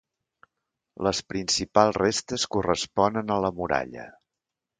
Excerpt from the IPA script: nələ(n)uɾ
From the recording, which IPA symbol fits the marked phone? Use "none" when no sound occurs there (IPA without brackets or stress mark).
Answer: m